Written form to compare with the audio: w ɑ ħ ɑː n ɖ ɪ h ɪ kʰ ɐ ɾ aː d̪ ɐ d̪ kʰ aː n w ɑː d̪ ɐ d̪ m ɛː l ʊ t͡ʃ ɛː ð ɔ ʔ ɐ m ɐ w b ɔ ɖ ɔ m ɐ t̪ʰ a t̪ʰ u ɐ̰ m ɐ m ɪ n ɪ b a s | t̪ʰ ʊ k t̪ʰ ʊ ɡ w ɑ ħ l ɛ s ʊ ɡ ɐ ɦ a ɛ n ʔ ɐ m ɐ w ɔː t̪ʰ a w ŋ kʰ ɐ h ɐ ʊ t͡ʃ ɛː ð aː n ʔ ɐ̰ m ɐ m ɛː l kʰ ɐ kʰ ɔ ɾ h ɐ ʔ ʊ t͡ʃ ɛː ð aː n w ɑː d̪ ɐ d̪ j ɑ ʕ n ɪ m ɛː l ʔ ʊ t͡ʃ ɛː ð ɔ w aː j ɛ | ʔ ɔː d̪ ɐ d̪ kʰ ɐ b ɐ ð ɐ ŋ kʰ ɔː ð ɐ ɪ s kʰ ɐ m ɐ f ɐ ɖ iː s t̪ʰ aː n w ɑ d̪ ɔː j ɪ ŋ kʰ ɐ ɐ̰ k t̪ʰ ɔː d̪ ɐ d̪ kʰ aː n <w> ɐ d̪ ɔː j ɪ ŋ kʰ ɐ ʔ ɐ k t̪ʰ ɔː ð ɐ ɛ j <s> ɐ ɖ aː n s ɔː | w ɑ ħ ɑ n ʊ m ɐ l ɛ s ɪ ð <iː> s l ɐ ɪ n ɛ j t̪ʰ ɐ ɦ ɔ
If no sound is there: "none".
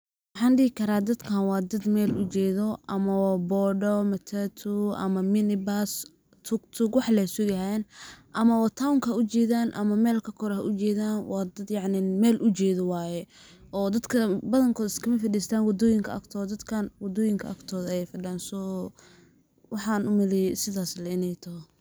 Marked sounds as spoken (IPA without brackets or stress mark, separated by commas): w, f, aː